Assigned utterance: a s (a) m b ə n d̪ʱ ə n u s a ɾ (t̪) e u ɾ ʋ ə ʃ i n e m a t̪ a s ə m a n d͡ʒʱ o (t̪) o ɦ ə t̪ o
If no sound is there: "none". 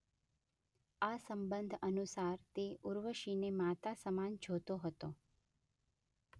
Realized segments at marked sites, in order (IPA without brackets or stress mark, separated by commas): ə, t̪, t̪